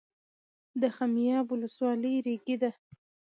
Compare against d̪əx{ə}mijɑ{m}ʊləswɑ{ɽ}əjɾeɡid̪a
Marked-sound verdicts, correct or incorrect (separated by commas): incorrect, incorrect, incorrect